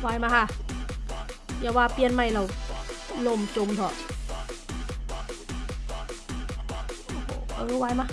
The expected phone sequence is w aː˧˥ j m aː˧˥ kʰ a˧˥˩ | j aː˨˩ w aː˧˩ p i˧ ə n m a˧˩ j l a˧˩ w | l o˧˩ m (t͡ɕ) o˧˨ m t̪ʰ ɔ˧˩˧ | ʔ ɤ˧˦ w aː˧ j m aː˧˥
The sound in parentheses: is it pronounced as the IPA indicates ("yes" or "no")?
yes